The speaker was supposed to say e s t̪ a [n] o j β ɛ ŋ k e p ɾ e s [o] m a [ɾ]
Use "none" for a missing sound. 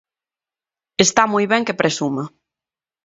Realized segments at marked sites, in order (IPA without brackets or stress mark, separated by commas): m, u, none